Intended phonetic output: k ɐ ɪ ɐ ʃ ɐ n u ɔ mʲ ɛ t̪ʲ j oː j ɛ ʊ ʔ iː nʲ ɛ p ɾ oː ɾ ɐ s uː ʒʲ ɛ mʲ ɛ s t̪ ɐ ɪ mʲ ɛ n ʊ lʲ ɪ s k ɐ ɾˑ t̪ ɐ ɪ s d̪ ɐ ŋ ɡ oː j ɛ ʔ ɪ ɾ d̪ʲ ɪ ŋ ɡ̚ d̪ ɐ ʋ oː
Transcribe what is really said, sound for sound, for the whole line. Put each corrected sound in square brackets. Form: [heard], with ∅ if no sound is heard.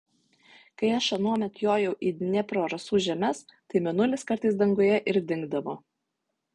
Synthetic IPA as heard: k ɐ ɪ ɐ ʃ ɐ n u ɔ mʲ ɛ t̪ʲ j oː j ɛ ʊ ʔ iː nʲ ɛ p ɾ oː ɾ ɐ s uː ʒʲ ɛ mʲ ɛ s t̪ ɐ ɪ mʲ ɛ n ʊ lʲ ɪ s k ɐ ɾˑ t̪ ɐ ɪ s d̪ ɐ ŋ ɡ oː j ɛ ʔ ɪ ɾ d̪ʲ ɪ ŋ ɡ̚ d̪ ɐ ʋ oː